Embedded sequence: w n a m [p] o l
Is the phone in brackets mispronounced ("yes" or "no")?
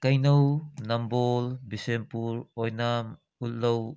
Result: yes